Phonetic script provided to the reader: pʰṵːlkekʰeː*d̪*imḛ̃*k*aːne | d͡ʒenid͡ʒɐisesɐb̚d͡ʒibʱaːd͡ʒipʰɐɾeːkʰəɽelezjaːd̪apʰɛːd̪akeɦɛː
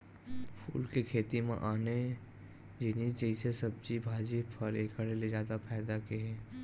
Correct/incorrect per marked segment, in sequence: incorrect, incorrect

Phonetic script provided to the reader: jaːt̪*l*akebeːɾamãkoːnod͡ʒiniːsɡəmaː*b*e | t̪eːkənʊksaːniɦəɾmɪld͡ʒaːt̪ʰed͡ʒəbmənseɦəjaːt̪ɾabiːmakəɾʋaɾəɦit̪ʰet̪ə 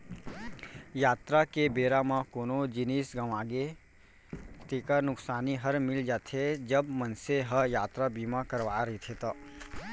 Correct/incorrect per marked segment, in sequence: incorrect, incorrect

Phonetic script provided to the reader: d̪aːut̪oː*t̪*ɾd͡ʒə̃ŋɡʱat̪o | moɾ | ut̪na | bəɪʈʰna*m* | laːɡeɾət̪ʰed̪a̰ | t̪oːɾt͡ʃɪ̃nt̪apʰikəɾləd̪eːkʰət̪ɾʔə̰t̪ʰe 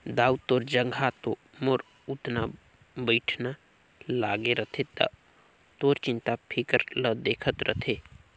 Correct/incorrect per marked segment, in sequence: incorrect, incorrect

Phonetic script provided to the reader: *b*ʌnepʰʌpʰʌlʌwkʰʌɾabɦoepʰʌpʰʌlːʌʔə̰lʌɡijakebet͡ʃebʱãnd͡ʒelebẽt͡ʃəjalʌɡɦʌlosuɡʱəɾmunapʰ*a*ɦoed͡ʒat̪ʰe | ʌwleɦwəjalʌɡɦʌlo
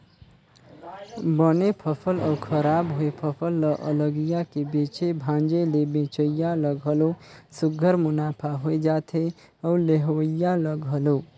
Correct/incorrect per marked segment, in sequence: correct, correct

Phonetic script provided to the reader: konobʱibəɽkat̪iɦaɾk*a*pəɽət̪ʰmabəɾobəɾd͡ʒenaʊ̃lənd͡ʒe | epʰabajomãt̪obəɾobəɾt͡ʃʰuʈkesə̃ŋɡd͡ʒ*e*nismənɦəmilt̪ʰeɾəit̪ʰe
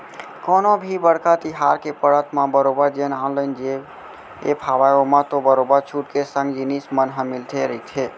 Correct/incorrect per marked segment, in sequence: incorrect, incorrect

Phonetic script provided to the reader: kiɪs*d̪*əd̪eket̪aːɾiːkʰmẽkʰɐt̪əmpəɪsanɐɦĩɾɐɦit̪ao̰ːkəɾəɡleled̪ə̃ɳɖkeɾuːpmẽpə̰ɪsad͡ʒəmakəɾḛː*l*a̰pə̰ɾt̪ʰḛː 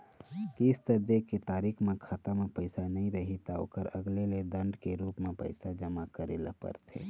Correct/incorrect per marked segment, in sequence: incorrect, correct

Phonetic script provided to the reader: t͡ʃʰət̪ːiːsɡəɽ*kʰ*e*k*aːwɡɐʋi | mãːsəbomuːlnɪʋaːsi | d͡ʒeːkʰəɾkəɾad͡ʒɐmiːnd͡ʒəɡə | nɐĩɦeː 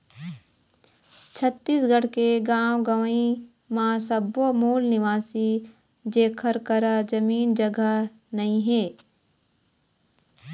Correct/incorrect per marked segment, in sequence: incorrect, incorrect

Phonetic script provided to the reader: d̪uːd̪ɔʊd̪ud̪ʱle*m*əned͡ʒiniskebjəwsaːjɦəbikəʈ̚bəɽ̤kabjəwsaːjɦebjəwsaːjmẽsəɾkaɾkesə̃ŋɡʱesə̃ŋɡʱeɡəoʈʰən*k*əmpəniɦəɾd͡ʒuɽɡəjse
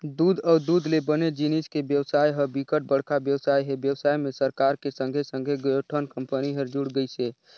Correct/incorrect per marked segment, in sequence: incorrect, correct

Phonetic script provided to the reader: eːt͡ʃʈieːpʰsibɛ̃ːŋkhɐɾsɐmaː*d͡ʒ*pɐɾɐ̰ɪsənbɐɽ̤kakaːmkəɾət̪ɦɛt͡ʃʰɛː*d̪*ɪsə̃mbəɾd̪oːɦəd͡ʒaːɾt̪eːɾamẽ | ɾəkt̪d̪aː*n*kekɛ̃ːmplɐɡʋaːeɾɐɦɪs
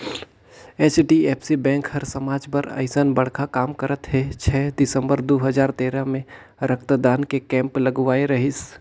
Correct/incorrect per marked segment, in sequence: correct, correct, correct

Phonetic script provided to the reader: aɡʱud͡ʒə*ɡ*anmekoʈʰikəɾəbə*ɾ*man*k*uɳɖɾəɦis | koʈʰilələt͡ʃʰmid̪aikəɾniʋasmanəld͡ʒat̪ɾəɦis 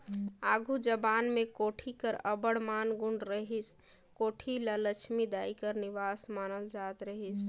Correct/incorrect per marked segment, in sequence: incorrect, incorrect, incorrect

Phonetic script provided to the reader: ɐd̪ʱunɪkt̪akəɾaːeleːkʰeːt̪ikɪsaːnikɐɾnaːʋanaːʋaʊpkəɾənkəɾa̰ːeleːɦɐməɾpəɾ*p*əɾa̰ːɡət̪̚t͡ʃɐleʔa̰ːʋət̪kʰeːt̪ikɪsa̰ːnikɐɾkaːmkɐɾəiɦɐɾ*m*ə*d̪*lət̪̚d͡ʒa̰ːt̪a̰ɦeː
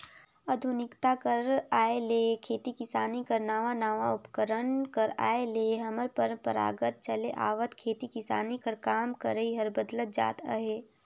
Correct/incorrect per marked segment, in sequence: correct, incorrect, correct

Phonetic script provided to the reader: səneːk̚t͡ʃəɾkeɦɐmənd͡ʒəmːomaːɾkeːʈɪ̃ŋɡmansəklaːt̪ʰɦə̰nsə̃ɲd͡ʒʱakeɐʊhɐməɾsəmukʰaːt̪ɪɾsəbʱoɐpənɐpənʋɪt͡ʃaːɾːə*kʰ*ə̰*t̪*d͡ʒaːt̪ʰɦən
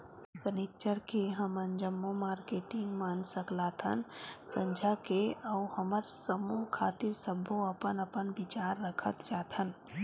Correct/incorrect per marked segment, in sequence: correct, correct

